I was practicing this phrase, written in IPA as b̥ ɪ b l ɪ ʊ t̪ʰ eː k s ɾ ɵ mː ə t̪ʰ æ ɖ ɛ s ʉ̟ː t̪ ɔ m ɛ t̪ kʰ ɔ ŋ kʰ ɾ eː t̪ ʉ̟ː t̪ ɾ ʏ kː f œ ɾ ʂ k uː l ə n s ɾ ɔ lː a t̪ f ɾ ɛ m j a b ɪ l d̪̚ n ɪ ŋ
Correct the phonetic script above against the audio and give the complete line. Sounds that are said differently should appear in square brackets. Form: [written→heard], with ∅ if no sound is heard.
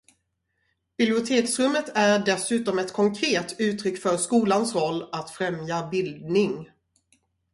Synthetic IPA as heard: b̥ ɪ b l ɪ ʊ t̪ʰ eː k s ɾ ɵ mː ə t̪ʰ æ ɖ ɛ s ʉ̟ː t̪ ɔ m ɛ t̪ kʰ ɔ ŋ kʰ ɾ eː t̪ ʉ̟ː t̪ ɾ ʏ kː f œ ɾ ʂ k uː l [ə→a] n s ɾ ɔ lː a t̪ f ɾ ɛ m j a b ɪ l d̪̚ n ɪ ŋ